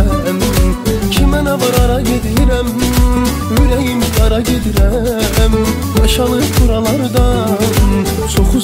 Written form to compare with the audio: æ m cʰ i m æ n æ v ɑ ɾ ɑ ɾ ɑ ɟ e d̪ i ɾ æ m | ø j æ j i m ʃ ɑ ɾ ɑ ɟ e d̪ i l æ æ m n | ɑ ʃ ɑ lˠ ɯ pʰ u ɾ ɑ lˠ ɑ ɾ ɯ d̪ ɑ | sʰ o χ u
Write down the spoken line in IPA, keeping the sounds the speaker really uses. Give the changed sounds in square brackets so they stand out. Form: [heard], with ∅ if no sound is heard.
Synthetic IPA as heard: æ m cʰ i m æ n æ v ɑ ɾ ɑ ɾ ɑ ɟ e d̪ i ɾ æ m | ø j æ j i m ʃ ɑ ɾ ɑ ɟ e d̪ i [ɾ] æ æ m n | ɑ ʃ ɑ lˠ ɯ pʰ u ɾ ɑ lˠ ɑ ɾ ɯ d̪ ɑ | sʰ o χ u